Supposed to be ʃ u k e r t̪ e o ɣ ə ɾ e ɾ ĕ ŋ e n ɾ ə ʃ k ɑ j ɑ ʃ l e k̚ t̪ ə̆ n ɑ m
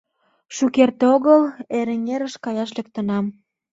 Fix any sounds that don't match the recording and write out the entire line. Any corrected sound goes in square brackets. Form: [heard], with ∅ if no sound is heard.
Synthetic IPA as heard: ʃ u k e r t̪ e o ɣ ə [l] e ɾ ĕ ŋ e [∅] ɾ ə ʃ k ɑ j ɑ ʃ l e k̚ t̪ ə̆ n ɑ m